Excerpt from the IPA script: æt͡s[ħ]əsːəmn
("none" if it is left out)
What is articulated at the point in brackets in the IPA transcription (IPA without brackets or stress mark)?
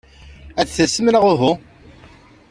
θ